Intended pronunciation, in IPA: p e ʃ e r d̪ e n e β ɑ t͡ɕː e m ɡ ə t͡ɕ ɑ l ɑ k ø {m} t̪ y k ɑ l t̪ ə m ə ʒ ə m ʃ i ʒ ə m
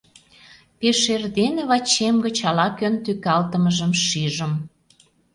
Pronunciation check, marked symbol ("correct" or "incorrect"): incorrect